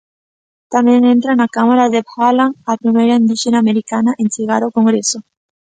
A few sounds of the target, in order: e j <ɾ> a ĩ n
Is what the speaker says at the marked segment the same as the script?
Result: yes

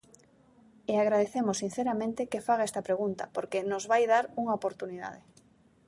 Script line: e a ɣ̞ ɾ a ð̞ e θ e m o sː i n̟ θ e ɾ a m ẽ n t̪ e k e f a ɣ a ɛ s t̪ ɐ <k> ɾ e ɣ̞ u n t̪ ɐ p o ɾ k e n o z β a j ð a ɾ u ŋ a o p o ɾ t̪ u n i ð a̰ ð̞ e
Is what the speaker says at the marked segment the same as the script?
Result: no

